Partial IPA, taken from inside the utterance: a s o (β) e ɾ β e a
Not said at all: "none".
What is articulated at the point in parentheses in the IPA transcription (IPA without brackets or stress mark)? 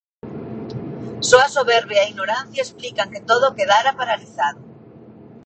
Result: β